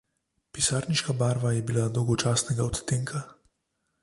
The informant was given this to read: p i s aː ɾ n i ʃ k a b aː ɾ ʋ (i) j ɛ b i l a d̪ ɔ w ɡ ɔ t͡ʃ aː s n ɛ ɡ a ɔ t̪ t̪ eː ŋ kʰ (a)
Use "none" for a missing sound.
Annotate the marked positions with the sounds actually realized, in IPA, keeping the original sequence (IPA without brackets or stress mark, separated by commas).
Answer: a, a